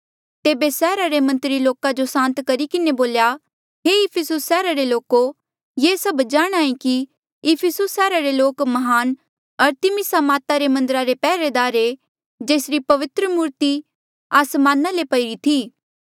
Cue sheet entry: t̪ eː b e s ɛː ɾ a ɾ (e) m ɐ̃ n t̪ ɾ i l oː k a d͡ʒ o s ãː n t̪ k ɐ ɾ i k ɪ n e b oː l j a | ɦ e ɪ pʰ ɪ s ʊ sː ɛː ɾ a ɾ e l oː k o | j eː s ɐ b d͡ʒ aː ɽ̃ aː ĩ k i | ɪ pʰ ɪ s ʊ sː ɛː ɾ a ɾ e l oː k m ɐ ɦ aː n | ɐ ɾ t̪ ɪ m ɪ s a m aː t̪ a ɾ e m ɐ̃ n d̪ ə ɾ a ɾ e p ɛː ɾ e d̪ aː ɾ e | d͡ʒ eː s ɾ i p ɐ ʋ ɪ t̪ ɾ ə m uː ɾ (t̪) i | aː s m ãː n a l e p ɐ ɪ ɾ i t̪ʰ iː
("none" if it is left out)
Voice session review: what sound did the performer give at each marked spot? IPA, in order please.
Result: e, t̪

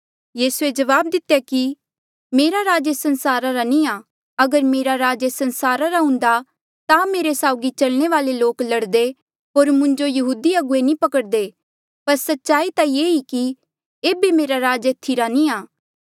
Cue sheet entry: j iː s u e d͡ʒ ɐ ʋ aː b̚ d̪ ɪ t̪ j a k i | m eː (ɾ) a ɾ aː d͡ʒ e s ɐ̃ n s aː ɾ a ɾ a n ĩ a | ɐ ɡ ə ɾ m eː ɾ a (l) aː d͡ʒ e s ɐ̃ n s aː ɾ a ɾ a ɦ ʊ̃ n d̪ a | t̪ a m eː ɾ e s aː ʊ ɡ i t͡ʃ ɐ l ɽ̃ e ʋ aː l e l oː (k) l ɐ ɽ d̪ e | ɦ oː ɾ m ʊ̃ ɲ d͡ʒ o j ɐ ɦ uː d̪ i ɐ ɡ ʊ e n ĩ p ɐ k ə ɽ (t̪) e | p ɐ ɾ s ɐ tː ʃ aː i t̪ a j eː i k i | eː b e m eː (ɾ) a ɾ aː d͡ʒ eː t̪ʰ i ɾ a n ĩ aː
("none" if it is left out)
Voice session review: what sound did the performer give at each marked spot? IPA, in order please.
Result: ɾ, ɾ, k, d̪, ɾ

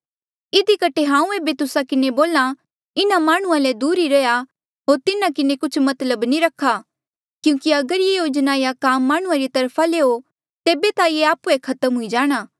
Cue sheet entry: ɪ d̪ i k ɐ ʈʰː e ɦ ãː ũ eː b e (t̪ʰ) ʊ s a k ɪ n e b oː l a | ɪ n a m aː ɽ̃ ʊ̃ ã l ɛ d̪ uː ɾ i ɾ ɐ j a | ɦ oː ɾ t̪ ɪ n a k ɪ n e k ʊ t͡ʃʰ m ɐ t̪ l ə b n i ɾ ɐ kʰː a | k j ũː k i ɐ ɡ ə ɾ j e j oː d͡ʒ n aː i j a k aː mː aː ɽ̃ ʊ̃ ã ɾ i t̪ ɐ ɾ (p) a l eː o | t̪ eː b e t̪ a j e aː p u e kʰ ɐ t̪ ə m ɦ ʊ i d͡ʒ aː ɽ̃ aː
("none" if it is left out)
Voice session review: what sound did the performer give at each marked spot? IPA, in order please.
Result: t̪, pʰ

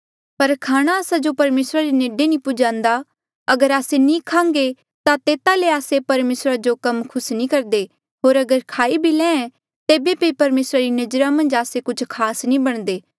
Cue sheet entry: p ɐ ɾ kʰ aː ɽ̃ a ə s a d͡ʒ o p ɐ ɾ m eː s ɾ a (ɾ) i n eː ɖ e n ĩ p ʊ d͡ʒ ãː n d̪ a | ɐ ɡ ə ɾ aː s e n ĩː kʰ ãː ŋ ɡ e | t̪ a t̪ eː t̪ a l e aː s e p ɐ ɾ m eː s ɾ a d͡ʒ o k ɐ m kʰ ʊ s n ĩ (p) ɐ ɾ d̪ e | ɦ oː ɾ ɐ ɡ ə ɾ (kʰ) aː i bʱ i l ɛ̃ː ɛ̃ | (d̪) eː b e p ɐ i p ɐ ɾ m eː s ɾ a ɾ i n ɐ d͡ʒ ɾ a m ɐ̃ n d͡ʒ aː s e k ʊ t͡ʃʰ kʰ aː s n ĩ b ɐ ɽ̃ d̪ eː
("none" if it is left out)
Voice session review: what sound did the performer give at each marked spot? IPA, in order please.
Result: ɾ, k, kʰ, t̪

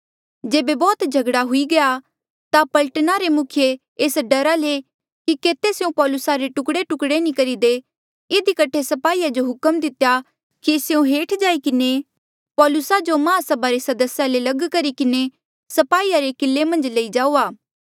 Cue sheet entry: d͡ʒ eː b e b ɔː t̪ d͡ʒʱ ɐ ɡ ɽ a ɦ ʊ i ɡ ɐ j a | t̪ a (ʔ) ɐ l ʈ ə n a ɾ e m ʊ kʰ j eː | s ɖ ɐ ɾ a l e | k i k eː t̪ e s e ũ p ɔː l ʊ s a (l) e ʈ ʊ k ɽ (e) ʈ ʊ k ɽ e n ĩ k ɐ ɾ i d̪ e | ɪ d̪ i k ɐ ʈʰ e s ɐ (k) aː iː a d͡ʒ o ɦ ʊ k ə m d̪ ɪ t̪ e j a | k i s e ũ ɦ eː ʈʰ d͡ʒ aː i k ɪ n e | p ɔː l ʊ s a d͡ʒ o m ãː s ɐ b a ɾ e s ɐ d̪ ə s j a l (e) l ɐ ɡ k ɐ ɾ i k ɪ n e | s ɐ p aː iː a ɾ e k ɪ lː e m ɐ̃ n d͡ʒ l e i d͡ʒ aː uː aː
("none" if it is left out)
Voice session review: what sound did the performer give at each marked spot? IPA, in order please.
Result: p, ɾ, e, p, e

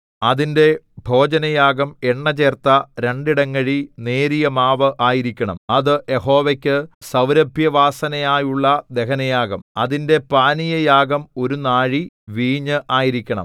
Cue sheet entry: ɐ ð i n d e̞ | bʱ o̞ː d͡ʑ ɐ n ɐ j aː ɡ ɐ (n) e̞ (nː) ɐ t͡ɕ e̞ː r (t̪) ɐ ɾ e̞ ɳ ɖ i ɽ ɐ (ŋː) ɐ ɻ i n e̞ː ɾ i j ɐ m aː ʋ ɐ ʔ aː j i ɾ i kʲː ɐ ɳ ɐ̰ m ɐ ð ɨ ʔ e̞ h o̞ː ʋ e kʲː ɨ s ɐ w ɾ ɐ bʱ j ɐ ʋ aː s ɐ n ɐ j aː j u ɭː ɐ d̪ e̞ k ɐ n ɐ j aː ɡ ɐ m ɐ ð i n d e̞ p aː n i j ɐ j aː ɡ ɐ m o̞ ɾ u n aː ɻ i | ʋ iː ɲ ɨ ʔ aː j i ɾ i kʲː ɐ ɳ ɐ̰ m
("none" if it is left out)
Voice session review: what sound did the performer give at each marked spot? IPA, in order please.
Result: m, ɳː, t̪, ŋː

